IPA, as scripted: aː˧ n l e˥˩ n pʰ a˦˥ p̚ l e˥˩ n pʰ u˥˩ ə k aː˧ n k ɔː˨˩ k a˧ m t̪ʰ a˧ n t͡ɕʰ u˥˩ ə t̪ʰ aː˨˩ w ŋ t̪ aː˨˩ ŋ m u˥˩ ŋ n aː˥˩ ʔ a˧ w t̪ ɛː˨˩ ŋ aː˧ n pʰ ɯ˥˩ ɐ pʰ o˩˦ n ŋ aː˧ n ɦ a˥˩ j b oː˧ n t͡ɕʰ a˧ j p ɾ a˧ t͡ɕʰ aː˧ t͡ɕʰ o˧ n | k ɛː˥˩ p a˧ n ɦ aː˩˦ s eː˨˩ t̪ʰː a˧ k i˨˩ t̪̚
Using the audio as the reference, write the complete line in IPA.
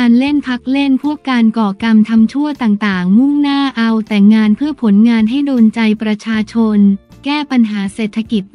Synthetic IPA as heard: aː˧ n l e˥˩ n pʰ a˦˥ k̚ l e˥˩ n pʰ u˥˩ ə k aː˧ n k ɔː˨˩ k a˧ m t̪ʰ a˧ m t͡ɕʰ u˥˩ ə t̪ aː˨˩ ŋ t̪ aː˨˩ ŋ m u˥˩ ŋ n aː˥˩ ʔ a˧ w t̪ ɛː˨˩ ŋ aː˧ n pʰ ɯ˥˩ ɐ pʰ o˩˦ n ŋ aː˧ n ɦ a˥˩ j d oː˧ n t͡ɕ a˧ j p ɾ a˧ t͡ɕʰ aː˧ t͡ɕʰ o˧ n | k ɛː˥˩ p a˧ n ɦ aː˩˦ s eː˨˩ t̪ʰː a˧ k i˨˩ t̪̚